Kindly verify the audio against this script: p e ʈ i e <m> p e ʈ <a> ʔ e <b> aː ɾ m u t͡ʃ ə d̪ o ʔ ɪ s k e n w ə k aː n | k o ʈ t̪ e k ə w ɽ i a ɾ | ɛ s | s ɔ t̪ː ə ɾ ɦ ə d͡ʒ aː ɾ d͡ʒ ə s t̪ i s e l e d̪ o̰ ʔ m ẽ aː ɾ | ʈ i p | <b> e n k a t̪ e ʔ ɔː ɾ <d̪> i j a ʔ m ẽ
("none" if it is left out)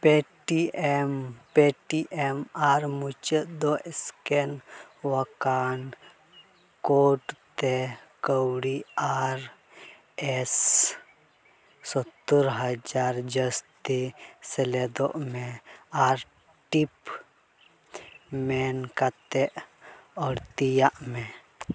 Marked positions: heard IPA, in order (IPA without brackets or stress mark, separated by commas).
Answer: m, i, m, m, t̪